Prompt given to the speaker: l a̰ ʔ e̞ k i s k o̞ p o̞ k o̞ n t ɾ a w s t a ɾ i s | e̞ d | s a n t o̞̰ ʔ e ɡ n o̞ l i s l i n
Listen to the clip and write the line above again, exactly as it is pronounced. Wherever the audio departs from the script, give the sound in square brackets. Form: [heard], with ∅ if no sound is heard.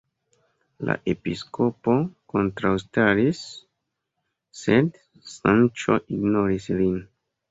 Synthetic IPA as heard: l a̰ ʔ e̞ [p] i s k o̞ p o̞ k o̞ n t ɾ a w s t a ɾ i s | e̞ d | s a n [t͡ʃ] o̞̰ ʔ [i] ɡ n o̞ [ɾ] i s l i n